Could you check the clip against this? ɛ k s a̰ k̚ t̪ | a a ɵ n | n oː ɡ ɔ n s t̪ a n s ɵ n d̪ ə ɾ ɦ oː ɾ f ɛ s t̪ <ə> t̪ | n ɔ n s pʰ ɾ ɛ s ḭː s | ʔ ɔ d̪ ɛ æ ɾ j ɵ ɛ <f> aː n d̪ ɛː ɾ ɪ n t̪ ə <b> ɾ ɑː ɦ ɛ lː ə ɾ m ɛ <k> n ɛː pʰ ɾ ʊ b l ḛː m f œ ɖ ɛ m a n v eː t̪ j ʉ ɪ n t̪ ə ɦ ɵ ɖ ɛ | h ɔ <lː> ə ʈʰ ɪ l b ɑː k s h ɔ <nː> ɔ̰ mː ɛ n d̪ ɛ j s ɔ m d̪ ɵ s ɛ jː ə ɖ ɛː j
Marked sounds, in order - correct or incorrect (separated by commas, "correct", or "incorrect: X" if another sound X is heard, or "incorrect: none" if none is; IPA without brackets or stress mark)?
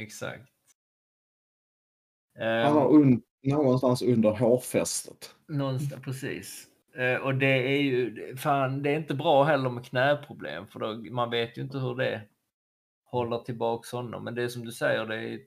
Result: correct, correct, correct, incorrect: kʰ, correct, correct